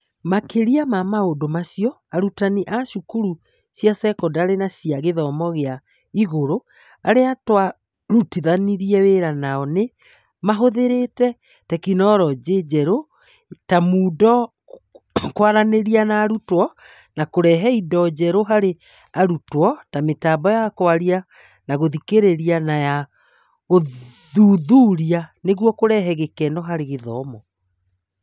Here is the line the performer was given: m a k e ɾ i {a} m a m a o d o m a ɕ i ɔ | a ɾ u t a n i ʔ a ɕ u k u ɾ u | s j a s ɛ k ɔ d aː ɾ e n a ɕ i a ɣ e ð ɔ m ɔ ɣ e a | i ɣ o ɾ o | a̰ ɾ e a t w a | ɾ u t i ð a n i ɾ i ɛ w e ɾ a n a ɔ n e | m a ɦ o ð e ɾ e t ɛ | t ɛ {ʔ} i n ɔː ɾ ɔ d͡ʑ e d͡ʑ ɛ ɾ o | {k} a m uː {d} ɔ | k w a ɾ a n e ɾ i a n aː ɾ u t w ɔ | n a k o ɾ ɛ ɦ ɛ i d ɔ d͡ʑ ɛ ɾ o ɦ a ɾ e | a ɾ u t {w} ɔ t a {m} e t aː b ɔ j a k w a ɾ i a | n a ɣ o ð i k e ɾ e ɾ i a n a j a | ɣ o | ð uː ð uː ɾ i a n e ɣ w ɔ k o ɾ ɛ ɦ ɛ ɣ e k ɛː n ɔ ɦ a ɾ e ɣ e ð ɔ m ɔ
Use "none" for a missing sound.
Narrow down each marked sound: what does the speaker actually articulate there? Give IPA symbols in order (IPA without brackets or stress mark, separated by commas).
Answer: a, k, t, d, w, m